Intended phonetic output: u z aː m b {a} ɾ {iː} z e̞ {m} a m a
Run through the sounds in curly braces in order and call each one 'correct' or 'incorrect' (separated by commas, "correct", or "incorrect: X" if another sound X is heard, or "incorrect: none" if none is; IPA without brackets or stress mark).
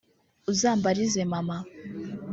correct, incorrect: i, correct